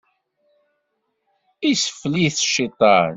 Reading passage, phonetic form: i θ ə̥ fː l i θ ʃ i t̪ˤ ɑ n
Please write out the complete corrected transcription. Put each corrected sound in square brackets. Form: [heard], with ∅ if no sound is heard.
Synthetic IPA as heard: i [s] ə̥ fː l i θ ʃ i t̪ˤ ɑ n